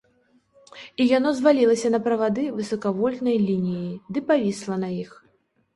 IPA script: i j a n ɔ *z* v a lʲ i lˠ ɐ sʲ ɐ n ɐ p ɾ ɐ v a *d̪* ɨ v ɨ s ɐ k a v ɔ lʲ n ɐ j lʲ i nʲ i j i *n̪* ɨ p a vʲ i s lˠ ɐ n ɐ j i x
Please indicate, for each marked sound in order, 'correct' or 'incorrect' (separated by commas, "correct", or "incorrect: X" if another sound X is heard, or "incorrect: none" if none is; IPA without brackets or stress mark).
correct, correct, incorrect: d̪